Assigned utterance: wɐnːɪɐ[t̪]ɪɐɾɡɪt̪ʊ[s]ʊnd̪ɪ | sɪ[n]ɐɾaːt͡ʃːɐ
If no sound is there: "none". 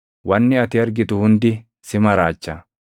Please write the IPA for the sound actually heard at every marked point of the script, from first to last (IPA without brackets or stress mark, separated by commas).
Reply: t̪, h, m